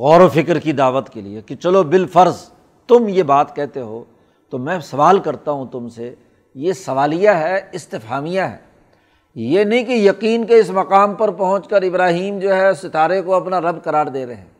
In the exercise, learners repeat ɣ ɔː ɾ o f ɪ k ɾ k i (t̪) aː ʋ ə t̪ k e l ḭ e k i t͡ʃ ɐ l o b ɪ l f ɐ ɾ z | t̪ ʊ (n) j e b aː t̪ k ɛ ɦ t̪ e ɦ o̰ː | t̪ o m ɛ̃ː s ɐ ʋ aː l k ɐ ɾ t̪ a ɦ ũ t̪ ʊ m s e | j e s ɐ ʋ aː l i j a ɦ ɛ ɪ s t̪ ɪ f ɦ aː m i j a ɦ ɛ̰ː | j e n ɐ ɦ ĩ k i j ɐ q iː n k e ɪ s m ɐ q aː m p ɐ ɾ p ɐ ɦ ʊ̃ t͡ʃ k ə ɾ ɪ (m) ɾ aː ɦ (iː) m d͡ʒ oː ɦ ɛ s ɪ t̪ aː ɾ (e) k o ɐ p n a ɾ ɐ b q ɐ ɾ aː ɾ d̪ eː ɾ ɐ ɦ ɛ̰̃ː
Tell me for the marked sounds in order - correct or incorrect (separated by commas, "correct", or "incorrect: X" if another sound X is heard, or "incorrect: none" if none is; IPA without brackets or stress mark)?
incorrect: d̪, incorrect: m, incorrect: b, correct, correct